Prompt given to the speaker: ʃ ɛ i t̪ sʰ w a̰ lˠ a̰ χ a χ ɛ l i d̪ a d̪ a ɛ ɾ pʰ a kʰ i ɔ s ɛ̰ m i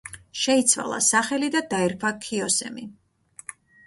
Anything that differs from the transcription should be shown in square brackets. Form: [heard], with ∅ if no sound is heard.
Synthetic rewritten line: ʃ ɛ i t̪ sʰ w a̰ lˠ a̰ [s] a χ ɛ l i d̪ a d̪ a ɛ ɾ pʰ a kʰ i ɔ s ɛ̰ m i